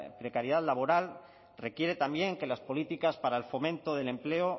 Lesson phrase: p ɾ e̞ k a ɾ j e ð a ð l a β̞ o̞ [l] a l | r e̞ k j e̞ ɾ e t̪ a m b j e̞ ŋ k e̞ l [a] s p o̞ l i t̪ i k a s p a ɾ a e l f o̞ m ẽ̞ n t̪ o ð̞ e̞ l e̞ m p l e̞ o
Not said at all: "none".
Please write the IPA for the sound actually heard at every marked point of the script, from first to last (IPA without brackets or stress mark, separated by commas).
ɾ, a